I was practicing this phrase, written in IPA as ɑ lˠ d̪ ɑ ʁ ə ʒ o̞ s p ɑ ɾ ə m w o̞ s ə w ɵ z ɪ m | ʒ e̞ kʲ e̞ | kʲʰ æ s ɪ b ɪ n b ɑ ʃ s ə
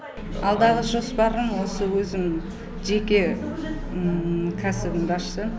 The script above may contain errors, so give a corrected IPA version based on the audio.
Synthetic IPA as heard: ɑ lˠ d̪ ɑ ʁ ə ʒ o̞ s p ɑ ɾ ə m w o̞ s ə w ɵ z ɪ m | ʒ e̞ kʲ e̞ | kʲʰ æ s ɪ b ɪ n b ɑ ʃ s ə